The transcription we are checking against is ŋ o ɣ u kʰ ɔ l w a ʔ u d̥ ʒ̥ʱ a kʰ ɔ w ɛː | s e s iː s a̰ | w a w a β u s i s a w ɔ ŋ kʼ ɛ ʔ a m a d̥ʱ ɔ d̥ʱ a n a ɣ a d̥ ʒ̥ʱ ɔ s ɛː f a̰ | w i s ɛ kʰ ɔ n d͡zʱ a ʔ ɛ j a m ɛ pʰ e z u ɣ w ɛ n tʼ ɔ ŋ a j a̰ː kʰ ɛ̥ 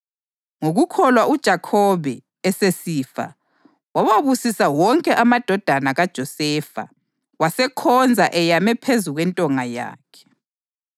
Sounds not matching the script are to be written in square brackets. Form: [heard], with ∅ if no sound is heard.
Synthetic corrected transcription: ŋ o ɣ u kʰ ɔ l w a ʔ u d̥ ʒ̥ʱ a kʰ ɔ [β] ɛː | s e s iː [f] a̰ | w a w a β u s i s a w ɔ ŋ kʼ ɛ ʔ a m a d̥ʱ ɔ d̥ʱ a n a ɣ a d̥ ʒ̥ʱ ɔ s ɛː f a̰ | w [a] s ɛ kʰ ɔ n d͡zʱ a ʔ ɛ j a m ɛ pʰ e z u ɣ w ɛ n tʼ ɔ ŋ a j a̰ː kʰ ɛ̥